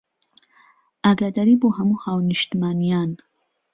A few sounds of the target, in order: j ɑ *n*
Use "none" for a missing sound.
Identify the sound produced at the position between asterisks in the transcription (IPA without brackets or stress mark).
n